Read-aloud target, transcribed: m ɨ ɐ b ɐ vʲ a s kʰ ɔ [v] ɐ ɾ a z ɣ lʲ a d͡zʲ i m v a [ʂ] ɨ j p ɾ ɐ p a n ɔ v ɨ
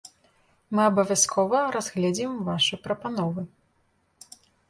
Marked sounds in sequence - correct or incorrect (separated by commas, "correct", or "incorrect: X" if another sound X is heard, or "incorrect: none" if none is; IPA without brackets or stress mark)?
correct, correct